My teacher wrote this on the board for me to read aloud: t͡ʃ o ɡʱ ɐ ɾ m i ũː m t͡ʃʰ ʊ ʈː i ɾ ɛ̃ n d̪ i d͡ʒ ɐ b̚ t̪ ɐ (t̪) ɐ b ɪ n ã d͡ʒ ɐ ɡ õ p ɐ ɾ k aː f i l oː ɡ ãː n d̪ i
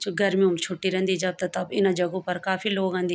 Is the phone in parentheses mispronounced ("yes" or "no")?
no